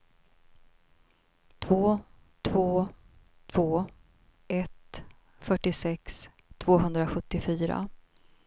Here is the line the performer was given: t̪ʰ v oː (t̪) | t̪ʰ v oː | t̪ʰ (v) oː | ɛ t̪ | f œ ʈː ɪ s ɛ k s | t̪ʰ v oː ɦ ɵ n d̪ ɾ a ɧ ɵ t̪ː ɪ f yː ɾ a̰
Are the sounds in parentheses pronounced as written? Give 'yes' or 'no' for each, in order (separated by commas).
no, yes